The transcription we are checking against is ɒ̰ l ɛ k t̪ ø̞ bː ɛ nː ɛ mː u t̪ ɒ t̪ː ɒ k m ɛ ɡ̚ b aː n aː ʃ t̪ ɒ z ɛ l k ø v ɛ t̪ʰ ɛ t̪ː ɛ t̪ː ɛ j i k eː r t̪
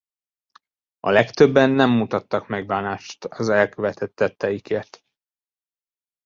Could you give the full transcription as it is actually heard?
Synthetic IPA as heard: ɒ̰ l ɛ k t̪ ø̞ bː ɛ nː ɛ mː u t̪ ɒ t̪ː ɒ k m ɛ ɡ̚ b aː n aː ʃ t̪ ɒ z ɛ l k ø v ɛ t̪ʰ ɛ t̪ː ɛ t̪ː ɛ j i k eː r t̪

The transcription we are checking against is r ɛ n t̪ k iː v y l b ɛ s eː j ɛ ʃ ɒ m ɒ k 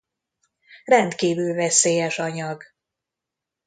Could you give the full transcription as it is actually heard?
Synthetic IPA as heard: r ɛ n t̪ k iː v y l v ɛ s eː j ɛ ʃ ɒ ɲ ɒ ɡ

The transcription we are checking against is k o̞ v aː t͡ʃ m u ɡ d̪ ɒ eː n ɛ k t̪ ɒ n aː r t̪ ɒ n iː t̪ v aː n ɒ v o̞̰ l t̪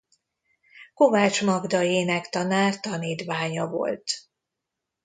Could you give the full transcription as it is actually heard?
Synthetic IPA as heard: k o̞ v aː t͡ʃ m ɒ ɡ d̪ ɒ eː n ɛ k t̪ ɒ n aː r t̪ ɒ n iː t̪ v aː ɲ ɒ v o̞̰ l t̪

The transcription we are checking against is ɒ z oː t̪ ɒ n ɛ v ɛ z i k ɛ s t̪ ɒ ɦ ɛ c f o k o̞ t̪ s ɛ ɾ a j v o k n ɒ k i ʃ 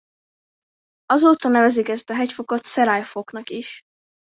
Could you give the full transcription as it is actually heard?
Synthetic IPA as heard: ɒ z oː t̪ ɒ n ɛ v ɛ z i k ɛ s t̪ ɒ ɦ ɛ c f o k o̞ t̪ s ɛ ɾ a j f o k n ɒ k i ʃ

